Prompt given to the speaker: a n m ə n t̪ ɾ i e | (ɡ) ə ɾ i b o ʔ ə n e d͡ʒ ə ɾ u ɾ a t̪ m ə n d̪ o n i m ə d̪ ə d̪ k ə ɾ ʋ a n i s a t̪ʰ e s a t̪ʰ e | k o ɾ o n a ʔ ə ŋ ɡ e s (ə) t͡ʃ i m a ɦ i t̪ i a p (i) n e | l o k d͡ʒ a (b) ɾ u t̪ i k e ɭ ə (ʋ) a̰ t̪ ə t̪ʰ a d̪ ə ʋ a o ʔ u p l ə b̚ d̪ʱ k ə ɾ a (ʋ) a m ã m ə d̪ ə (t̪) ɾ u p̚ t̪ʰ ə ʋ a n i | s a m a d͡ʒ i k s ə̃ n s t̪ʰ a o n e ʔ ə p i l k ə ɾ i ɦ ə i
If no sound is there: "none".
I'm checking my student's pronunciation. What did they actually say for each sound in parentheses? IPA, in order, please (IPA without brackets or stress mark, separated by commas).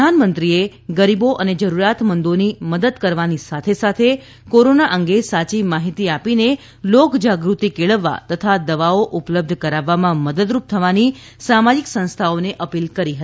ɡ, a, i, ɡ, ʋː, ʋː, d̪